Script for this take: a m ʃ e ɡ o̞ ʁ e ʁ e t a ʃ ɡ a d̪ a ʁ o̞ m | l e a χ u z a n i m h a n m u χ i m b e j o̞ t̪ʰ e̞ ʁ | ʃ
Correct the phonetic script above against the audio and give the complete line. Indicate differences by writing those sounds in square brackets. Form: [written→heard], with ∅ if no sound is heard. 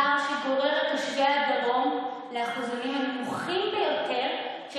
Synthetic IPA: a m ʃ e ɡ o̞ ʁ e ʁ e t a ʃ ɡ a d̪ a ʁ o̞ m | l e a χ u z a n i m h a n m u χ i m b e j o̞ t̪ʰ e̞ ʁ | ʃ